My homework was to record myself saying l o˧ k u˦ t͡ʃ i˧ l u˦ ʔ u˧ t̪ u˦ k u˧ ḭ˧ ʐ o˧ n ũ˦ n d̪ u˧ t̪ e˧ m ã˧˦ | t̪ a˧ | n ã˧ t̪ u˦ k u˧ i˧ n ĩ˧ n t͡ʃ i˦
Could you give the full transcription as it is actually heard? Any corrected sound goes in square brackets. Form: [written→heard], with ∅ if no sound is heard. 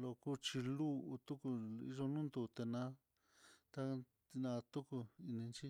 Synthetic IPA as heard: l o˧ k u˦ t͡ʃ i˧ l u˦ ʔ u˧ t̪ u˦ k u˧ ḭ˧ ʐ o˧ n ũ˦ n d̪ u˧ t̪ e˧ [m→n] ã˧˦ | t̪ a˧ | n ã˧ t̪ u˦ k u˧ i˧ n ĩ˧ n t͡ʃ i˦